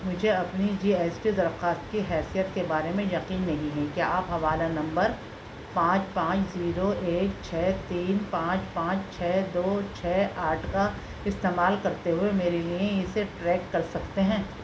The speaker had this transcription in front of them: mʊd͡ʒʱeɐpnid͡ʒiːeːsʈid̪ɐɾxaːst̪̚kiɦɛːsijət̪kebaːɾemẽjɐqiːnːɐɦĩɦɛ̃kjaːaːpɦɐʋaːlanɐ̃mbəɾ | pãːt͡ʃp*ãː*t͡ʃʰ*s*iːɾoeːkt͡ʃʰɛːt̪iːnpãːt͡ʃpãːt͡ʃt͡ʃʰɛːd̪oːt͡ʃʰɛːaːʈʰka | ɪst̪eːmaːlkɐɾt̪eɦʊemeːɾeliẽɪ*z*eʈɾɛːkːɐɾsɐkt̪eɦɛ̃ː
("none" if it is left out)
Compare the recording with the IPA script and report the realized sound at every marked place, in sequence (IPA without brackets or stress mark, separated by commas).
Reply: ãː, z, s